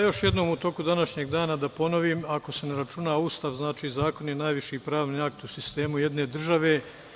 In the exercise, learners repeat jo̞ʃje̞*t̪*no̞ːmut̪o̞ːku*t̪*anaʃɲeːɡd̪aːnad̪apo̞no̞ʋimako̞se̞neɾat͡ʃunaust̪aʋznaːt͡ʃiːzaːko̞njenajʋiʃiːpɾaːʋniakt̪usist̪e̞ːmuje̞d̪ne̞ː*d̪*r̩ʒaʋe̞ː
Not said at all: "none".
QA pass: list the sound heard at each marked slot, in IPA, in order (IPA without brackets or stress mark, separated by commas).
d̪, d̪, d̪